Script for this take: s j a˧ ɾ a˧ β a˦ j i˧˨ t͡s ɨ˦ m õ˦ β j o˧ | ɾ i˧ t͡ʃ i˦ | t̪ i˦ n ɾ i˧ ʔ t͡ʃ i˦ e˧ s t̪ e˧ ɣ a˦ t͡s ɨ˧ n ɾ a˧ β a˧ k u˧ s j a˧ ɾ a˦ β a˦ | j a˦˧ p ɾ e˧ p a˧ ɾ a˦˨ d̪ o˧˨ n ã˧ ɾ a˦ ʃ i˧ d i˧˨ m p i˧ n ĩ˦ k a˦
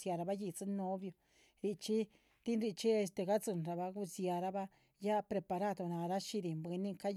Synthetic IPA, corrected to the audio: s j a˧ ɾ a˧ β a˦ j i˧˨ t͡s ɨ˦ n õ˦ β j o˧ | ɾ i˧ t͡ʃ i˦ | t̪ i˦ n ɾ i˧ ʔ t͡ʃ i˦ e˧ s t̪ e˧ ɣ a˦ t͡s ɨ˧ n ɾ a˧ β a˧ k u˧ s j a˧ ɾ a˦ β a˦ | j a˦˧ p ɾ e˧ p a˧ ɾ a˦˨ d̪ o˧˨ n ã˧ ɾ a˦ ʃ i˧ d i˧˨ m b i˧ n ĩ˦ k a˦